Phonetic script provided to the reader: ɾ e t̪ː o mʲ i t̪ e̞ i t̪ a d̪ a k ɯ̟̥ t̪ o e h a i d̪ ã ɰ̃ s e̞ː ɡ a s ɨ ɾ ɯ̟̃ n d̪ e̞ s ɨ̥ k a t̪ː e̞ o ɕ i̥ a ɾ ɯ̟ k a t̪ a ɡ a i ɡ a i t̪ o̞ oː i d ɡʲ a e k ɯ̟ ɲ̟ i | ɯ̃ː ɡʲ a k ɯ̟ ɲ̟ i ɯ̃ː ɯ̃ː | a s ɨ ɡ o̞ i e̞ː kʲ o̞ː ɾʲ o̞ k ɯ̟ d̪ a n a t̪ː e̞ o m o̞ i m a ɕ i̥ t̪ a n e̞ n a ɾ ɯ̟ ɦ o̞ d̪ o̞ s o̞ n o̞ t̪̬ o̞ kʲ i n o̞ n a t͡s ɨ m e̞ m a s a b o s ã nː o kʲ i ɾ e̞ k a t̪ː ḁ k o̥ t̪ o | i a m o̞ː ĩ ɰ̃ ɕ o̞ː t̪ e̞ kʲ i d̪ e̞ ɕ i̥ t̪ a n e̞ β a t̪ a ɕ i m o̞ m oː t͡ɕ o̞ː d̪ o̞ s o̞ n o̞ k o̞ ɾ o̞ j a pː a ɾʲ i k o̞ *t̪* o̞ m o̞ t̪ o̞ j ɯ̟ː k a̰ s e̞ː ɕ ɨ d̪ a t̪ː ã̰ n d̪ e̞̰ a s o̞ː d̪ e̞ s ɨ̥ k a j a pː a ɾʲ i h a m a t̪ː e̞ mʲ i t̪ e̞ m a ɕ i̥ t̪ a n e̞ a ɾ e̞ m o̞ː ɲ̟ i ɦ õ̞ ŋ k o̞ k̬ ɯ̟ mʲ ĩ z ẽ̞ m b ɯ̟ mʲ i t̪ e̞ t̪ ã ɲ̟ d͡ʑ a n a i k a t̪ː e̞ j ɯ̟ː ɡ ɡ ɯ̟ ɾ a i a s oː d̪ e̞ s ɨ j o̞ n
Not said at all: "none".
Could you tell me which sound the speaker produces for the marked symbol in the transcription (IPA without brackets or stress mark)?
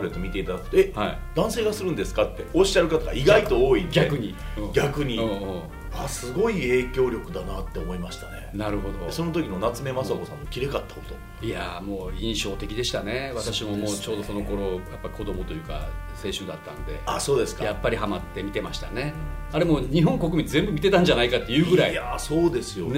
d̪